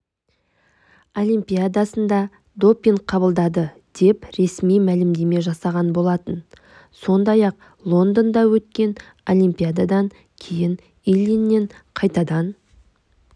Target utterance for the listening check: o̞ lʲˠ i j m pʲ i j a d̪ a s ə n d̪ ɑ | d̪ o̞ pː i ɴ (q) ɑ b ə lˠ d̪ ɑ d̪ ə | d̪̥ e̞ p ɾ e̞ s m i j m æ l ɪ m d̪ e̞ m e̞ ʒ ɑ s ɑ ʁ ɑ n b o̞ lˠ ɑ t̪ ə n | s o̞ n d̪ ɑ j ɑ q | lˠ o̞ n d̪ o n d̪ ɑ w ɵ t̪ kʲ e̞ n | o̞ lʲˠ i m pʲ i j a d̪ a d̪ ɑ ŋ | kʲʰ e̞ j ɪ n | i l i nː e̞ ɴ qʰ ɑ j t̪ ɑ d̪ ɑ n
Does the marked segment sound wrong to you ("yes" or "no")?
yes